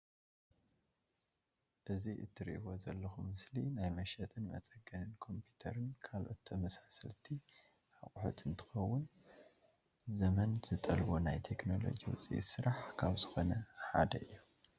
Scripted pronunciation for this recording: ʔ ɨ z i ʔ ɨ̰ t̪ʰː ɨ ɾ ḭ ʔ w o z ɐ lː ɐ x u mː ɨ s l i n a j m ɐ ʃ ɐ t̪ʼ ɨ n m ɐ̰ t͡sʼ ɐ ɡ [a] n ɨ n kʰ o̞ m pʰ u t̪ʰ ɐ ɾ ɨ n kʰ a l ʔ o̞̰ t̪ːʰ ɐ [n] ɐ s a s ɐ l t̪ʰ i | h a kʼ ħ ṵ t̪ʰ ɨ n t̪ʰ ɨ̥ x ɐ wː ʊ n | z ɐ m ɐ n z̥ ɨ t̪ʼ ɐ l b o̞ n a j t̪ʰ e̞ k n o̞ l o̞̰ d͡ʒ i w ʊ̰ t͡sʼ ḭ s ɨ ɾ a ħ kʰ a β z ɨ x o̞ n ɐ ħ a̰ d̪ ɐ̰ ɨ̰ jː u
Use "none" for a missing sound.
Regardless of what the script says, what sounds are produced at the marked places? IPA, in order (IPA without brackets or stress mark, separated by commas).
ɐ, m